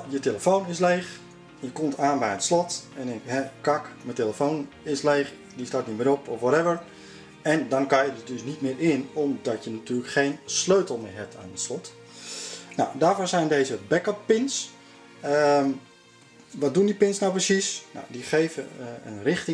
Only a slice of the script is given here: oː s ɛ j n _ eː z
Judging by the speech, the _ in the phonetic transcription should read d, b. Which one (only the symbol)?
d